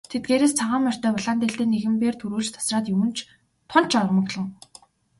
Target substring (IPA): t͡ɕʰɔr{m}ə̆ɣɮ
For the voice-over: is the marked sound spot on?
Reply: yes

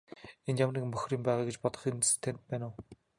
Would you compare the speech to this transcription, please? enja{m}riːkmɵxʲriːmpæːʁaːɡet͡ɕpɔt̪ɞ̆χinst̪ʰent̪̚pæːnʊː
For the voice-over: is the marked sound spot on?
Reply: yes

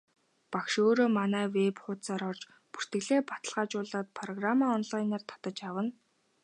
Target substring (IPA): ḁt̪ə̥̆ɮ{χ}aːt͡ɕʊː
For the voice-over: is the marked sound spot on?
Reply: no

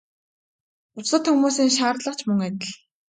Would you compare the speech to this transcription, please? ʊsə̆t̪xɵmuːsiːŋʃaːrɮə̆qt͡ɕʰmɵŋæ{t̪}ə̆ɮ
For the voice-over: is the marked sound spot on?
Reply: yes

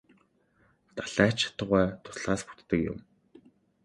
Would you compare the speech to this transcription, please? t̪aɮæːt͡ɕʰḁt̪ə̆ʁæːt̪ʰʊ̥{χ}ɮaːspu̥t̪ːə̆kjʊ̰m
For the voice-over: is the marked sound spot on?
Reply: no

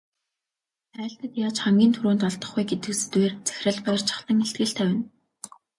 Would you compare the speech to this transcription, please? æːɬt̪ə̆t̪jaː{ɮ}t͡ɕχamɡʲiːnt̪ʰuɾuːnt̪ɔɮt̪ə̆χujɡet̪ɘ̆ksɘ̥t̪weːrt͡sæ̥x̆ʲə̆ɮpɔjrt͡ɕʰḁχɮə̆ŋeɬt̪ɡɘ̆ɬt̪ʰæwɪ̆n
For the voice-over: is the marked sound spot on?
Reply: no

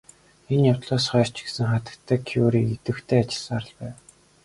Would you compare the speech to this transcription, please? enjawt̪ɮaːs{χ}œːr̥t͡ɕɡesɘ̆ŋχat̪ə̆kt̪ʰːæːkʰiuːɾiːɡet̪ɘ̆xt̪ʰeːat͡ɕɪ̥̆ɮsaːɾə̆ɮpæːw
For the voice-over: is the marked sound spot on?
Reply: yes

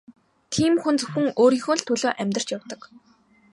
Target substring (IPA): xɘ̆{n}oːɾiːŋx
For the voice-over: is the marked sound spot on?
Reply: no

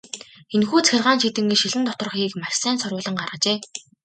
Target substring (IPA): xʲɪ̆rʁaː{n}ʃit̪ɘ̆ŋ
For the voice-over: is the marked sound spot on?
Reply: yes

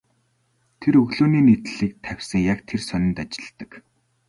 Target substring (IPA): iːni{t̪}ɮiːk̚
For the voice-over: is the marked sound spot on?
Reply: yes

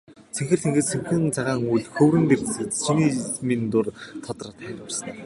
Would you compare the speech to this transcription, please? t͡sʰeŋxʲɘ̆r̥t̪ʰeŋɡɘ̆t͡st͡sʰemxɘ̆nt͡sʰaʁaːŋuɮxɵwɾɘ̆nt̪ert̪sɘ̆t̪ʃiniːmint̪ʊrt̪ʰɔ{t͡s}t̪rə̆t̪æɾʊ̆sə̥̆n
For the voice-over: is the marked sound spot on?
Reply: no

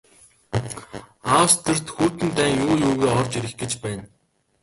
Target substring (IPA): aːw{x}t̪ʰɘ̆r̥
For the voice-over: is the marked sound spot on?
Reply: no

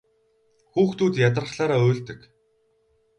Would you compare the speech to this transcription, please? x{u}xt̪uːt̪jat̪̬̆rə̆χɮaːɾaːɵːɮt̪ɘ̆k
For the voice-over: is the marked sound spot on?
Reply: no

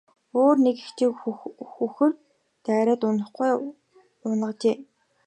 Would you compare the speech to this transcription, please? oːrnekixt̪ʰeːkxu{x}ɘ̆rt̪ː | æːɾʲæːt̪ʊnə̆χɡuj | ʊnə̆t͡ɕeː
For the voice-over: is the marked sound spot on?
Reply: yes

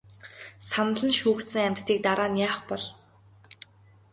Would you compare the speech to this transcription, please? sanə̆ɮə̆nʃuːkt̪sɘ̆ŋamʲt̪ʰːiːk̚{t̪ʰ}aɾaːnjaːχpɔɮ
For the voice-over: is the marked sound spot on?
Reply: no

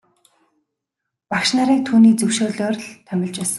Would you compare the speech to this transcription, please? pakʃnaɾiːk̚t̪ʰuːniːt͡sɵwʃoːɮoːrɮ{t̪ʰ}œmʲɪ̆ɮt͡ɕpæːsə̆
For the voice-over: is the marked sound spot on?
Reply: yes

